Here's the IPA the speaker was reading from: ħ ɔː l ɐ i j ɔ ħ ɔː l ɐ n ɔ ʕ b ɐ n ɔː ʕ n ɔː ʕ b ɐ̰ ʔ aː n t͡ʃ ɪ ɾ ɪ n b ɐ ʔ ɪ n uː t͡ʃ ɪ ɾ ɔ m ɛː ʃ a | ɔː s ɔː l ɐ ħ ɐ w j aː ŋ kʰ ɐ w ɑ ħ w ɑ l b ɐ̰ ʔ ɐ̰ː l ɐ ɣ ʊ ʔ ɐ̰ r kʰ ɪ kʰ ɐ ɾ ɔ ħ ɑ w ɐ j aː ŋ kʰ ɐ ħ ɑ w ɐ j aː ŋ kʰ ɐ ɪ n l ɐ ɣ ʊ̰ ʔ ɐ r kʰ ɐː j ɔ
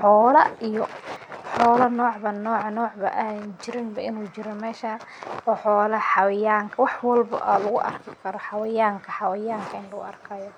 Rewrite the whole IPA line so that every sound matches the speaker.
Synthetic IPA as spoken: ħ ɔː l ɐ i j ɔ ħ ɔː l ɐ n ɔː ʕ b ɐ n ɔː ʕ n ɔː ʕ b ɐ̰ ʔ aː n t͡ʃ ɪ ɾ ɪ n b ɐ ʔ ɪ n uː t͡ʃ ɪ ɾ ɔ m ɛː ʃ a | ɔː ħ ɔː l ɐ ħ ɑ w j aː ŋ kʰ ɐ w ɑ ħ w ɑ l b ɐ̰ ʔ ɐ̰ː l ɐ ɣ ʊ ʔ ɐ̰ r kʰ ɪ kʰ ɐ ɾ ɔ ħ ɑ w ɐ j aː ŋ kʰ ɐ ħ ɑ w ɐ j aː ŋ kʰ ɐ ɪ n l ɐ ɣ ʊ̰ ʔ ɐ r kʰ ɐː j ɔ

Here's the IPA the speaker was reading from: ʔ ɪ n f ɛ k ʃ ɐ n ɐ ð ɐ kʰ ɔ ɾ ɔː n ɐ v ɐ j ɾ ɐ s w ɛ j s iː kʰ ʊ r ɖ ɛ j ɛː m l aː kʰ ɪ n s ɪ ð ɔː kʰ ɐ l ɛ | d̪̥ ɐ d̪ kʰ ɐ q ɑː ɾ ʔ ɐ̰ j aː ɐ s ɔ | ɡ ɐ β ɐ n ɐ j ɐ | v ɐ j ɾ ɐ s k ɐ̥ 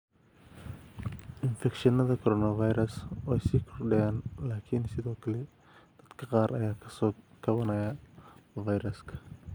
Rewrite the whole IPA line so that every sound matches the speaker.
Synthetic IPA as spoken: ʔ ɪ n f ɛ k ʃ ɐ n ɐ ð ɐ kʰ ɔ ɾ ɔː n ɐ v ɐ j ɾ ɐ s w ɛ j s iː kʰ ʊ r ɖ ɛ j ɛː n l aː kʰ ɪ n s ɪ ð ɔː kʰ ɐ l ɛ | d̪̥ ɐ d̪ kʰ ɐ q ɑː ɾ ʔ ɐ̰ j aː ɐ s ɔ | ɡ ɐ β ɐ n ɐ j ɐ | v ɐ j ɾ ɐ s kʰ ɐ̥

